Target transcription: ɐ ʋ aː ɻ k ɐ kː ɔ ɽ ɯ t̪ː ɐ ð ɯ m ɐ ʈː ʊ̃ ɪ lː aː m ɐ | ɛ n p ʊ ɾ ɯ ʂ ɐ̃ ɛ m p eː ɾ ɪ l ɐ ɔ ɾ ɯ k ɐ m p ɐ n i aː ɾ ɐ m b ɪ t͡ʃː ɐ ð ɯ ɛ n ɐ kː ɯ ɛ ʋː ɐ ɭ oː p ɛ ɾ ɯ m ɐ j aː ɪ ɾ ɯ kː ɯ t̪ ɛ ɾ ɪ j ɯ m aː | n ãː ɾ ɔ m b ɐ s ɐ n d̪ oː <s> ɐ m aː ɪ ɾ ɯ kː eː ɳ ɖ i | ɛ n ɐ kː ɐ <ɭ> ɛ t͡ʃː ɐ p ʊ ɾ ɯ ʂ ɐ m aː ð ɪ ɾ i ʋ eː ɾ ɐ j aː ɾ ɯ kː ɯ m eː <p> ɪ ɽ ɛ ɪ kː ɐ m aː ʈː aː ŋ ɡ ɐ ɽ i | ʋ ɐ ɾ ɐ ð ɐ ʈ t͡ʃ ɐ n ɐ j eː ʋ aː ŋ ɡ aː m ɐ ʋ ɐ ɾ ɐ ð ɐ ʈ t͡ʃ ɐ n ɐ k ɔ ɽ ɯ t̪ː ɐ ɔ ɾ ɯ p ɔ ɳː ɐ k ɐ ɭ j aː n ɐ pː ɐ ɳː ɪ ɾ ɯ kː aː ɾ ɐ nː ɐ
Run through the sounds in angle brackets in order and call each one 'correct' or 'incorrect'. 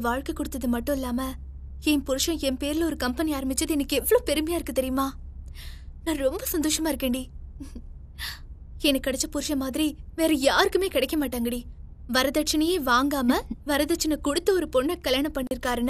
incorrect, incorrect, incorrect

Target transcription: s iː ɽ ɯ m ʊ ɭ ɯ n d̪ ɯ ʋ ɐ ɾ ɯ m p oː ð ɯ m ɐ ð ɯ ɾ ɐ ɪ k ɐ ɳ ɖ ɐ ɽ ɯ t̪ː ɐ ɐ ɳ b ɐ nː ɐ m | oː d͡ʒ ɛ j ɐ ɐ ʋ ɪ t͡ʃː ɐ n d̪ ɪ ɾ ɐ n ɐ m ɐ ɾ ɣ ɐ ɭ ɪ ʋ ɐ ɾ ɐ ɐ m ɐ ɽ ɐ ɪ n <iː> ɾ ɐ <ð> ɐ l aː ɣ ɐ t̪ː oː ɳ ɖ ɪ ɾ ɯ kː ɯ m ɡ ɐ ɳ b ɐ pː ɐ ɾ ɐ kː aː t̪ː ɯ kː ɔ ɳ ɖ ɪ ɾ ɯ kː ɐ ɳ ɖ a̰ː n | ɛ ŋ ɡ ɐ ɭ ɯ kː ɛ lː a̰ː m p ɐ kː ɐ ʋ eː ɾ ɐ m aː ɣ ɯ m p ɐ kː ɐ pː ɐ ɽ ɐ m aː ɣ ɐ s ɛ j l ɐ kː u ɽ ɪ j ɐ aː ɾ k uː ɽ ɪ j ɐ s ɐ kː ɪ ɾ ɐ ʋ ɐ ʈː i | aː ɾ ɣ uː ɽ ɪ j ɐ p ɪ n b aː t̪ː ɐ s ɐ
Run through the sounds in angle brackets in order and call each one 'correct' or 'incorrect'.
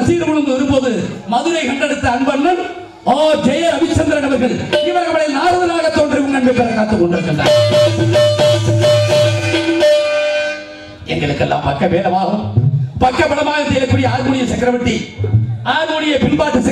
incorrect, correct

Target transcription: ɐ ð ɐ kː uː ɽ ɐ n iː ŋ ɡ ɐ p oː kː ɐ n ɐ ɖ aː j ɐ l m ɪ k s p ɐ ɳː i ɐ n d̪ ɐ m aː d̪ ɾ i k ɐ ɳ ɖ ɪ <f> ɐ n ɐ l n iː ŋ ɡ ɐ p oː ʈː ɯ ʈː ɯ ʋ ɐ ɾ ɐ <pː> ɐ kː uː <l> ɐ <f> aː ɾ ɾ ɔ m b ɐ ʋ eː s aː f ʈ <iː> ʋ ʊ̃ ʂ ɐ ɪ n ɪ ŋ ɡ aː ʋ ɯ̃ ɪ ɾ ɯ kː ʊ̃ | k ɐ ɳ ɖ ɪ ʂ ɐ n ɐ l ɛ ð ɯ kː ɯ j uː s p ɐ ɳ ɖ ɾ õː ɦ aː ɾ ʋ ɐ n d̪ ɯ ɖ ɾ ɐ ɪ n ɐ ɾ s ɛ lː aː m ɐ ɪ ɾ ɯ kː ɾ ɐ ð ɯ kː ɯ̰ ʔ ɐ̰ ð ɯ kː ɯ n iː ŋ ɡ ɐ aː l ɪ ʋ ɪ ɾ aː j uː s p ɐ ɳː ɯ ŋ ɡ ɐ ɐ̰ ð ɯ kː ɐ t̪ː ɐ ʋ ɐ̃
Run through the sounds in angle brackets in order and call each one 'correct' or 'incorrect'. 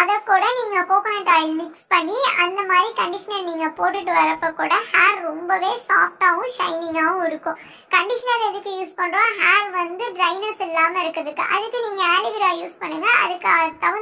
incorrect, correct, incorrect, incorrect, incorrect

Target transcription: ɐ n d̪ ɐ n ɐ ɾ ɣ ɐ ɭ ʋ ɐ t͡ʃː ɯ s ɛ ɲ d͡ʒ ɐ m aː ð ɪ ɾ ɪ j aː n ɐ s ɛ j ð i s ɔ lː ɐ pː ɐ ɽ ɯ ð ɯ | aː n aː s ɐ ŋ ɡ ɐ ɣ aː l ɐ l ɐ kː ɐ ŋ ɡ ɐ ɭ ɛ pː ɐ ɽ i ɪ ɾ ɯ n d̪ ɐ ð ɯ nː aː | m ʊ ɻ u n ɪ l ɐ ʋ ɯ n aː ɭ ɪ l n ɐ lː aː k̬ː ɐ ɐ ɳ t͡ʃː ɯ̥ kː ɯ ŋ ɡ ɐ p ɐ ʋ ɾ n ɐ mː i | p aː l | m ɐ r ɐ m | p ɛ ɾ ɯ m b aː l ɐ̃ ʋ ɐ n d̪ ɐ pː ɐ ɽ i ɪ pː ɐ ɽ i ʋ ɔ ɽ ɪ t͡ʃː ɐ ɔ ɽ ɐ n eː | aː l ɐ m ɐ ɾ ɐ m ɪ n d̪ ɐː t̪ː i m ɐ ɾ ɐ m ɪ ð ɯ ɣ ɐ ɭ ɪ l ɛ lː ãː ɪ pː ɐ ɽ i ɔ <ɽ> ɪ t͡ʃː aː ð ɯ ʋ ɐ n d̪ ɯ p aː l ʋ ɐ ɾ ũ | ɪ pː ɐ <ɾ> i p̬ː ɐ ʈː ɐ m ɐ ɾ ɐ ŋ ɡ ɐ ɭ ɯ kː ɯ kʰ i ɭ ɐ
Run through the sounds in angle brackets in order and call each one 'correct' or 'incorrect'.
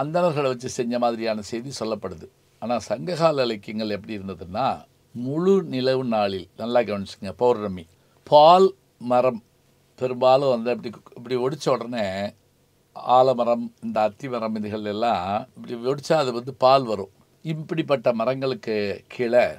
correct, incorrect

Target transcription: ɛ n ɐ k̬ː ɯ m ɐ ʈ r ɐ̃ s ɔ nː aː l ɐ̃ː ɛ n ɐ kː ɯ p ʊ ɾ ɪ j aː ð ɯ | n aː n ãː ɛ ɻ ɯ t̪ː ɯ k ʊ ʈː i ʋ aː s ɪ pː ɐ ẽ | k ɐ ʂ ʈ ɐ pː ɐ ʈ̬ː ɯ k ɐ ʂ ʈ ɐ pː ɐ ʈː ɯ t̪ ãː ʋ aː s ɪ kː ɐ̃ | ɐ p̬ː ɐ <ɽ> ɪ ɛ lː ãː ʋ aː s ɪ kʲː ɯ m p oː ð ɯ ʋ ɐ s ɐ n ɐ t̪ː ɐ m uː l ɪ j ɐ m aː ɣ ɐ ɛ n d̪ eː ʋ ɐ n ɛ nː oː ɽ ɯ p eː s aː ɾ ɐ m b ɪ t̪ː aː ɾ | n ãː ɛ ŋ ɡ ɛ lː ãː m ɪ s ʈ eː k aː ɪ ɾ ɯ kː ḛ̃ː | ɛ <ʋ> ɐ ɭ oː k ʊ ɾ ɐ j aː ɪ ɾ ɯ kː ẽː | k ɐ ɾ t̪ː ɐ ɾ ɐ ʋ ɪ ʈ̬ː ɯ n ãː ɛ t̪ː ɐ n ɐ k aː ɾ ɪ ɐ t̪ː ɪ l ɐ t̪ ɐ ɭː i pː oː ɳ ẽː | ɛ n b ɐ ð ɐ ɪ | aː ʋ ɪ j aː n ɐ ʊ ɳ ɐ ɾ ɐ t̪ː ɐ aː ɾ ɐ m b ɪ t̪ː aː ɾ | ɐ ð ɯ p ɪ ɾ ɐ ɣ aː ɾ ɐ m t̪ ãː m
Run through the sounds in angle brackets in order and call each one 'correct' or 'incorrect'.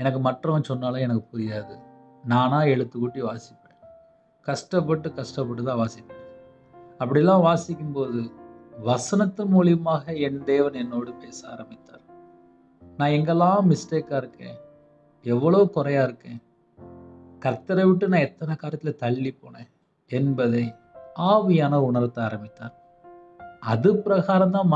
correct, incorrect

